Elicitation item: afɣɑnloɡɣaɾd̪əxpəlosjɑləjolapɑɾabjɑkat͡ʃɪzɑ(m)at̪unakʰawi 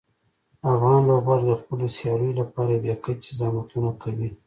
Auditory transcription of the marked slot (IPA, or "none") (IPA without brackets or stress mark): m